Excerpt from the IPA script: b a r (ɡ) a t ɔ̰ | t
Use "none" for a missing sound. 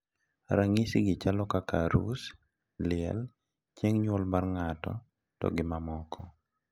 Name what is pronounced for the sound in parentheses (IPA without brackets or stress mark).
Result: ŋ